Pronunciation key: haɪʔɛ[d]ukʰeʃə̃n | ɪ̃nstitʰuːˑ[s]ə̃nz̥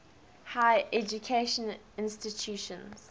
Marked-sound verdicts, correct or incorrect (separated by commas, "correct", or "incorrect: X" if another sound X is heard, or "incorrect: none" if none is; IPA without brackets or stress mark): incorrect: d͡ʒ, incorrect: ʃ